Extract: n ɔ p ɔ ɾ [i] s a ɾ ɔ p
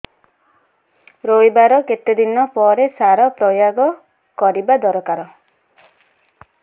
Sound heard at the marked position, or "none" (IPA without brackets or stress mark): e